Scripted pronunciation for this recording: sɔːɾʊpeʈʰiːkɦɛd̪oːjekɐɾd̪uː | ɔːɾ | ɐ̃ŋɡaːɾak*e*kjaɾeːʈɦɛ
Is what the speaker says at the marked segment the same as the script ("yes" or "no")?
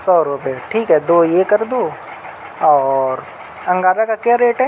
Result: no